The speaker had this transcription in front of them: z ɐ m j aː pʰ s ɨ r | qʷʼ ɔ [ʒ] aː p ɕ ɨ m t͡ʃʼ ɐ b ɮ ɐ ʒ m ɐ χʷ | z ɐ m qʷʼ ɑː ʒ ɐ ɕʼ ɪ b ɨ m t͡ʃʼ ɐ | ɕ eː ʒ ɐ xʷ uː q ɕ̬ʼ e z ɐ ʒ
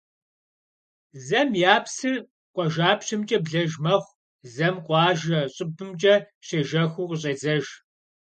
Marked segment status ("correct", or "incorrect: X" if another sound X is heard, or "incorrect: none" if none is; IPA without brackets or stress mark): correct